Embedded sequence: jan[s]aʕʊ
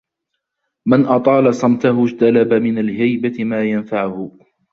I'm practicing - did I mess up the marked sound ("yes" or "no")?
yes